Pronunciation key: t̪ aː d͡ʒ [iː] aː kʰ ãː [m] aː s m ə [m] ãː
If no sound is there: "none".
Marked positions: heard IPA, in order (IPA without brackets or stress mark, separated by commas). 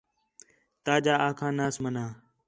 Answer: aː, n, n